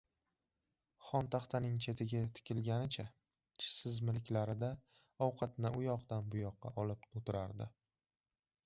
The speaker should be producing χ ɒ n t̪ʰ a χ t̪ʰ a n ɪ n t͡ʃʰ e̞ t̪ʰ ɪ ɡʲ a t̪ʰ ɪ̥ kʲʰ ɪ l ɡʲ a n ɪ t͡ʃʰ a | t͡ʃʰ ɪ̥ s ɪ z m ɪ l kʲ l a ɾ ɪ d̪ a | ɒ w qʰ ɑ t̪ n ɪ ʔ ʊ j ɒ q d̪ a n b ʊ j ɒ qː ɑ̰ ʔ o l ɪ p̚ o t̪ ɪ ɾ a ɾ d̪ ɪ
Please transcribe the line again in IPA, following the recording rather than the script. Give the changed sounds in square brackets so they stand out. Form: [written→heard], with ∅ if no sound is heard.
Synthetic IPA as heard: χ ɒ n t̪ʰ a χ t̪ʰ a n ɪ [n→ŋ] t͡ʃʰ e̞ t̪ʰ ɪ ɡʲ a t̪ʰ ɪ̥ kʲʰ ɪ l ɡʲ a n ɪ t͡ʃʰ a | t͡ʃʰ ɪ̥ s ɪ z m ɪ l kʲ l a ɾ ɪ d̪ a | ɒ w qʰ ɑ t̪ n ɪ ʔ ʊ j ɒ q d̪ a n b ʊ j ɒ qː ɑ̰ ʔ [o→ɒ] l ɪ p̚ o t̪ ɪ ɾ a ɾ d̪ ɪ